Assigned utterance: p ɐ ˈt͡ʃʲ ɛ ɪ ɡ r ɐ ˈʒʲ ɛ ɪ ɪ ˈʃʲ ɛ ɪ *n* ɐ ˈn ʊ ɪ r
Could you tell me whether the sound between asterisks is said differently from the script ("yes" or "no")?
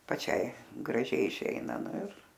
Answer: no